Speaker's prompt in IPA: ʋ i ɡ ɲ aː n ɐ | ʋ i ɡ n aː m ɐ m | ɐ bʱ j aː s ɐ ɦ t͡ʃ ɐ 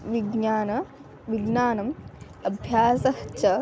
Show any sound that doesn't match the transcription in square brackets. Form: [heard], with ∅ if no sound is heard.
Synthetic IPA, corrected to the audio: ʋ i ɡ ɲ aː n ɐ | ʋ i ɡ n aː [n] ɐ m | ɐ bʱ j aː s ɐ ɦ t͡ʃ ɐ

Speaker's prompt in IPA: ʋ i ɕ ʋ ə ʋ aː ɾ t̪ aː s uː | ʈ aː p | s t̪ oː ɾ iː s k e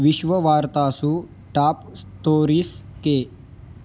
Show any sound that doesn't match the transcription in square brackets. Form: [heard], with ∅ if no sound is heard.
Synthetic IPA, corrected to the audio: ʋ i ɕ ʋ ə ʋ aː ɾ t̪ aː s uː | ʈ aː p | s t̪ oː ɾ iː s k e

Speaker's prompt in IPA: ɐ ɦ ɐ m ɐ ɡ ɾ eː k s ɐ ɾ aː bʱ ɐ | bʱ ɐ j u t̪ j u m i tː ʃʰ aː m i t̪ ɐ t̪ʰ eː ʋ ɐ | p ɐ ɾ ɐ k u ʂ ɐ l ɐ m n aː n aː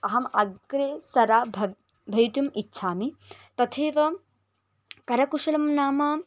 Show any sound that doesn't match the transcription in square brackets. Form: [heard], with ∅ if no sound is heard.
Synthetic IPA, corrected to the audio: ɐ ɦ ɐ m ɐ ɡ ɾ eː [∅] s ɐ ɾ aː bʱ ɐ | bʱ ɐ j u t̪ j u m i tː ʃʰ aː m i t̪ ɐ t̪ʰ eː ʋ ɐ | [k] ɐ ɾ ɐ k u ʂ ɐ l ɐ m n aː [m] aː

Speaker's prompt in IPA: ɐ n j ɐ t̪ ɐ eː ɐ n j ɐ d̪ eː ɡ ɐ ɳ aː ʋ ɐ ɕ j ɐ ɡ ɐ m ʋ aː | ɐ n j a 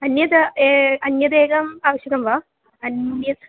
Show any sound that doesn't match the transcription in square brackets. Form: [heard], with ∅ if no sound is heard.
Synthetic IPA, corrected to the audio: ɐ n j ɐ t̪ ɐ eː ɐ n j ɐ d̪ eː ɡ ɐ [m] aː ʋ ɐ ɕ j ɐ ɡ ɐ m ʋ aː | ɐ n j [ɐ]

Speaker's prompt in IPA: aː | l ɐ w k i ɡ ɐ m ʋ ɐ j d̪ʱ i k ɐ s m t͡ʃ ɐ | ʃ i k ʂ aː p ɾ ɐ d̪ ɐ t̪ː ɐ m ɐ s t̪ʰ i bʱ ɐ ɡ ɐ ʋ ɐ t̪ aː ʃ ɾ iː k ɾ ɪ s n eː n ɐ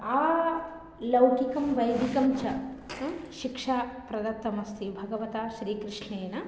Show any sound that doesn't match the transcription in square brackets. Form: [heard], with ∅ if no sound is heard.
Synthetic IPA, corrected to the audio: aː | l ɐ w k i [k] ɐ m ʋ ɐ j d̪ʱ i k ɐ [∅] m t͡ʃ ɐ | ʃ i k ʂ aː p ɾ ɐ d̪ ɐ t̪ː ɐ m ɐ s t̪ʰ i bʱ ɐ ɡ ɐ ʋ ɐ t̪ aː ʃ ɾ iː k ɾ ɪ [ʂ] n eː n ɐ

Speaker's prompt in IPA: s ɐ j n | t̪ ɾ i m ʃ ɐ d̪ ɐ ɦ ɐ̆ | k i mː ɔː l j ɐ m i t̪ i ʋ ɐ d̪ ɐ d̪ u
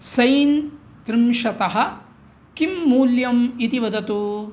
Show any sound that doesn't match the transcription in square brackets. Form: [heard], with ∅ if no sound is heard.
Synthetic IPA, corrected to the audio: s ɐ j n | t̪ ɾ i m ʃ ɐ [t̪] ɐ ɦ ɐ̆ | k i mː [uː] l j ɐ m i t̪ i ʋ ɐ d̪ ɐ [t̪] u

